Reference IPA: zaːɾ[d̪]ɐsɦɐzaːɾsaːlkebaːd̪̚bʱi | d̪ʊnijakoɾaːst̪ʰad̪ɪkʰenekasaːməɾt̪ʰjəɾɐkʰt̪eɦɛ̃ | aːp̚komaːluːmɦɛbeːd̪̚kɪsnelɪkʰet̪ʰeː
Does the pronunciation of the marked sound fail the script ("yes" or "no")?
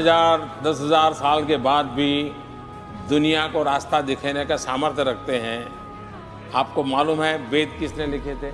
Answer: no